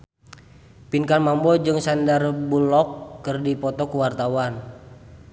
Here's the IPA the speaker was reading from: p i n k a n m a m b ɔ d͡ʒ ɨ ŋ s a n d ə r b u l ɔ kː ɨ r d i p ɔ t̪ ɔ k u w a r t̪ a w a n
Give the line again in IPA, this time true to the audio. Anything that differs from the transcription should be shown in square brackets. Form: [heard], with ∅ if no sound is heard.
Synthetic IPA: p i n k a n m a m b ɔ d͡ʒ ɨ ŋ s a n d [a] r b u l ɔ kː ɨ r d i p ɔ t̪ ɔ k u w a r t̪ a w a n